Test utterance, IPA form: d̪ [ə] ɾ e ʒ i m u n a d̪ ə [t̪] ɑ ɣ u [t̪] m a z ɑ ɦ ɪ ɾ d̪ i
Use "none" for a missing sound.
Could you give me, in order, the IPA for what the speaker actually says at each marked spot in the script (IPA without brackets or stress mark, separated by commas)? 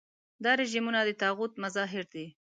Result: ɑ, t̪, t̪